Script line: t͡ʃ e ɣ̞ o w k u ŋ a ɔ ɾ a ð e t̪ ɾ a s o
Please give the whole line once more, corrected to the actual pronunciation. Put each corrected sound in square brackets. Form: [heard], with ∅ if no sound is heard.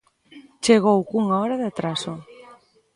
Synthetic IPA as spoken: t͡ʃ e ɣ̞ o w k u ŋ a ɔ ɾ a ð [a] t̪ ɾ a s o